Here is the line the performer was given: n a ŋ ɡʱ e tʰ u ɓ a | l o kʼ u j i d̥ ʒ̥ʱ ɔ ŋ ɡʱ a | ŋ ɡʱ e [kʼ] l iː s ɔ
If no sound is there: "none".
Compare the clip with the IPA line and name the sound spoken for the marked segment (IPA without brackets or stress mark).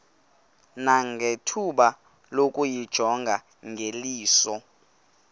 none